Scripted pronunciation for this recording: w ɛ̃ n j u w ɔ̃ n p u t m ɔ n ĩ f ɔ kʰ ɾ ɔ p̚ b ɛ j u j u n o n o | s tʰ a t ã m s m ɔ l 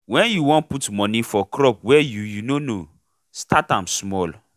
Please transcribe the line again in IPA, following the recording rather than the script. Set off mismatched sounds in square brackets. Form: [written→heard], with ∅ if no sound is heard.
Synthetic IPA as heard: w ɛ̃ n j u w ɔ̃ n p u t m ɔ n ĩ f ɔ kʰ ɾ ɔ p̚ [b→w] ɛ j u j u n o n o | s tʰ a t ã m s m ɔ l